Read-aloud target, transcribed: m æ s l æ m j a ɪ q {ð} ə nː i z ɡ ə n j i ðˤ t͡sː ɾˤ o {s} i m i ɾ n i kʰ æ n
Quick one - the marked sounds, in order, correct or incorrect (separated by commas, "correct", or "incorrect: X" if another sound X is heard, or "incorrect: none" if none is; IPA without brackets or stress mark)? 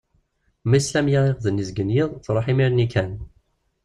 correct, incorrect: ħ